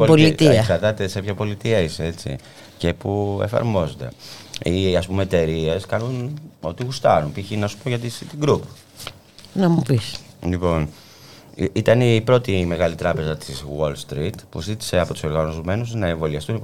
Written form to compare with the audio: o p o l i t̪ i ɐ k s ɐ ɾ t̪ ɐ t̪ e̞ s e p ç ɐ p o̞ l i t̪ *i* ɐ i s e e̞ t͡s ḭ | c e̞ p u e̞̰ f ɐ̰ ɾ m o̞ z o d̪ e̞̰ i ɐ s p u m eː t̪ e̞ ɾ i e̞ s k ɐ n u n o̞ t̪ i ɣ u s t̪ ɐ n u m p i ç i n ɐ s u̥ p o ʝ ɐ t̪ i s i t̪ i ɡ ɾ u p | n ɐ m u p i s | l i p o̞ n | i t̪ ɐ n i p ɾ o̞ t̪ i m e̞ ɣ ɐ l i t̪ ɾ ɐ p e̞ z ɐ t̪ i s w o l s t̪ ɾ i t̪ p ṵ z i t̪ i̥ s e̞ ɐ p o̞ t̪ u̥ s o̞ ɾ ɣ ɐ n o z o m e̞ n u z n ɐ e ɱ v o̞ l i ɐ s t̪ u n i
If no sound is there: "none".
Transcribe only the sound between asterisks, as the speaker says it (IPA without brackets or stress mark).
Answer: i